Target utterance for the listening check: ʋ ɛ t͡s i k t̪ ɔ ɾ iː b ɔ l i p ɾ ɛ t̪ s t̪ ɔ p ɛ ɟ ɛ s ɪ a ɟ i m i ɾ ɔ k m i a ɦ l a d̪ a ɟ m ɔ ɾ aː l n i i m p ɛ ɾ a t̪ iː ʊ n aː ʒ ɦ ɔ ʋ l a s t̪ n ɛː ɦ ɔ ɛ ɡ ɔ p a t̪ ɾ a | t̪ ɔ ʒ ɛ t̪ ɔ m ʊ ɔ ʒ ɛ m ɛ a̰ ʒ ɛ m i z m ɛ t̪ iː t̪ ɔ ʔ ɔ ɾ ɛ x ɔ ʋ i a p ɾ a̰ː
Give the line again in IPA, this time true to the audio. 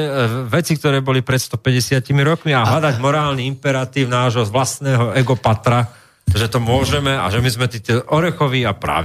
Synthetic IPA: ʋ ɛ t͡s i k t̪ ɔ ɾ ɛː b ɔ l i p ɾ ɛ t̪ s t̪ ɔ p ɛ ɟ ɛ s ɪ a c i m i ɾ ɔ k m i a ɦ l a d̪ a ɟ m ɔ ɾ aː l n i i m p ɛ ɾ a t̪ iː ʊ n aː ʒ ɦ ɔ ʋ l a s t̪ n ɛː ɦ ɔ ɛ ɡ ɔ p a t̪ ɾ a | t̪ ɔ ʒ ɛ t̪ ɔ m ʊ ɔ ʒ ɛ m ɛ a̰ ʒ ɛ m i z m ɛ t̪ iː t̪ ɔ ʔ ɔ ɾ ɛ x ɔ ʋ i a p ɾ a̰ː